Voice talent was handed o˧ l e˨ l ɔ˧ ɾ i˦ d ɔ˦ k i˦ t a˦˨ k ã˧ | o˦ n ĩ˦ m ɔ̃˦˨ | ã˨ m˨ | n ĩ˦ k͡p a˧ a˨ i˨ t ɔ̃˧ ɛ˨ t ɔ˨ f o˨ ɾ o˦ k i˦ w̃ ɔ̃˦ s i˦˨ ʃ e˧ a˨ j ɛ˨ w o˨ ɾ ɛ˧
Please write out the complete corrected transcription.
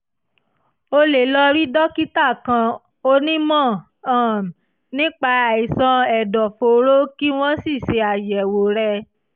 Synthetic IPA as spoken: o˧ l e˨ l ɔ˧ ɾ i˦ d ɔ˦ k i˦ t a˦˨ k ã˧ | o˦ n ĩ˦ m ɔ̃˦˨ | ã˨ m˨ | n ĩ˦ k͡p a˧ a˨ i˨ s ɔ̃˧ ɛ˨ d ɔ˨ f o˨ ɾ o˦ k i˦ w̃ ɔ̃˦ s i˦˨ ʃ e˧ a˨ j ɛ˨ w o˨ ɾ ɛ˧